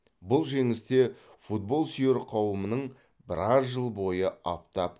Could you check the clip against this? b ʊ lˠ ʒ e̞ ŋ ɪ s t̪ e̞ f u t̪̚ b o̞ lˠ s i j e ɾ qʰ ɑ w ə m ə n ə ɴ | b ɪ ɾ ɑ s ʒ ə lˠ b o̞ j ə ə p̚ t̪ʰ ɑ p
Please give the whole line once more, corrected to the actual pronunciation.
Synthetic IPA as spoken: b ʊ lˠ ʒ e̞ ŋ ɪ s t̪ e̞ f u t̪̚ b o̞ lˠ s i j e ɾ qʰ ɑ w ə m ə n ə ɴ | b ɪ ɾ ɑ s ʒ ə lˠ b o̞ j ə ɑ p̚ t̪ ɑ p